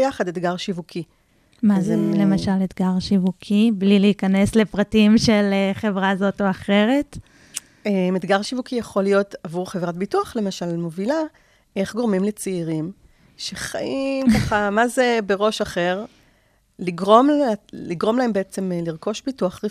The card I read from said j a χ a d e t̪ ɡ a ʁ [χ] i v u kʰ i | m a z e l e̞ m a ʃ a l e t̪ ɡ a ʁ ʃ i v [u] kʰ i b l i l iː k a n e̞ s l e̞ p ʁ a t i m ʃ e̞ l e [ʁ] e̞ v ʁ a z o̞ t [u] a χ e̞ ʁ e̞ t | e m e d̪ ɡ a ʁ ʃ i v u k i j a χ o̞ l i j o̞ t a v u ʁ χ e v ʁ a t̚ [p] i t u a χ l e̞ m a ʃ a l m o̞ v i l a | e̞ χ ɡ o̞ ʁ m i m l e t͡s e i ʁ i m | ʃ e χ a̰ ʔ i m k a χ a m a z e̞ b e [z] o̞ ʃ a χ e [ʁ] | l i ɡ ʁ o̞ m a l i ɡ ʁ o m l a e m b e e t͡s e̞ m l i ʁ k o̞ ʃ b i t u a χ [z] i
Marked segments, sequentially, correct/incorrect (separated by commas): incorrect, correct, incorrect, incorrect, incorrect, incorrect, correct, incorrect